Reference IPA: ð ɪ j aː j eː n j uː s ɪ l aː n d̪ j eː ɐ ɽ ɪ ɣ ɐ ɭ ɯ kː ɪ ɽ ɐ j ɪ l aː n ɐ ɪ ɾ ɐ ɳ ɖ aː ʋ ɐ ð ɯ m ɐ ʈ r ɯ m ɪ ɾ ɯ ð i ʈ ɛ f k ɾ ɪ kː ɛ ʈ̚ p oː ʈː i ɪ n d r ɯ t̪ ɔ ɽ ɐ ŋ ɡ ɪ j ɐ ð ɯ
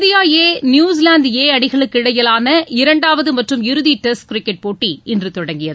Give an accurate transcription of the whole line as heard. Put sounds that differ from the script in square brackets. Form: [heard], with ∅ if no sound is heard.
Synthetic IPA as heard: ð ɪ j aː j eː n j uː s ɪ l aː n d̪ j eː ɐ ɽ ɪ ɣ ɐ ɭ ɯ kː ɪ ɽ ɐ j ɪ l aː n ɐ ɪ ɾ ɐ ɳ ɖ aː ʋ ɐ ð ɯ m ɐ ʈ r ɯ m ɪ ɾ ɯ ð i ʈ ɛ [s] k ɾ ɪ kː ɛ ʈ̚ p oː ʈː i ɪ n d r ɯ t̪ ɔ ɽ ɐ ŋ ɡ ɪ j ɐ ð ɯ